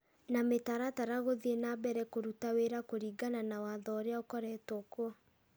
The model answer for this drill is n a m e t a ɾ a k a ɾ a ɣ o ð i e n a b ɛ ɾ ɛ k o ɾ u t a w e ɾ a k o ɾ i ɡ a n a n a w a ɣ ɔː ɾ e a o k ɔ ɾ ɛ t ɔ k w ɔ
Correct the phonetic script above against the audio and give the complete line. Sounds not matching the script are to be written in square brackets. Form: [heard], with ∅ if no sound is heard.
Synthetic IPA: n a m e t a ɾ a [t] a ɾ a ɣ o ð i e n a b ɛ ɾ ɛ k o ɾ u t a w e ɾ a k o ɾ i ɡ a n a n a w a [ð] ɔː ɾ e a o k ɔ ɾ ɛ t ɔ k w ɔ